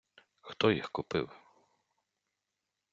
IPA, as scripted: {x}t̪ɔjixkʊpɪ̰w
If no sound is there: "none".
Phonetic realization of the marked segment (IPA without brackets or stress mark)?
x